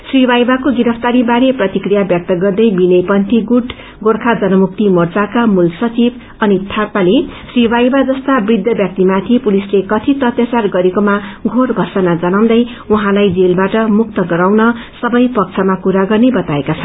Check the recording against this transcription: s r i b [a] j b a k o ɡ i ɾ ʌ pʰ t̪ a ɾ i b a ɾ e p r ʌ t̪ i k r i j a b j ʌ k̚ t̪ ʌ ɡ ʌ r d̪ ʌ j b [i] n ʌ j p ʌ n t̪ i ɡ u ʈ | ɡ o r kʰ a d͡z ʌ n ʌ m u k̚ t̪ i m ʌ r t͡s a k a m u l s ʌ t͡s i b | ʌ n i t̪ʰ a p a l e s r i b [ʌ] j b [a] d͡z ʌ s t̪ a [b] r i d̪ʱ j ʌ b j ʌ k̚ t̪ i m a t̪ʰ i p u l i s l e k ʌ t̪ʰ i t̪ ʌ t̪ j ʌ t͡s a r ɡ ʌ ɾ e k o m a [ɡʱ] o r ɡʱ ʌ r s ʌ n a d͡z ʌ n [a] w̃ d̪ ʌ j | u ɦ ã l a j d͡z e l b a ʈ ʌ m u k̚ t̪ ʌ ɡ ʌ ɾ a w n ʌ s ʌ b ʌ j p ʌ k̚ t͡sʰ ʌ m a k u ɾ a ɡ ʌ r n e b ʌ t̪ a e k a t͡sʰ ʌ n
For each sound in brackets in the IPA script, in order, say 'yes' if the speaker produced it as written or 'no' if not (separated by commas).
yes, yes, no, yes, yes, yes, yes